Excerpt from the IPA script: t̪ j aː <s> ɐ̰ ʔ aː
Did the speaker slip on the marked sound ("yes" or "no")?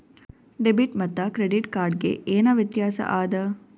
no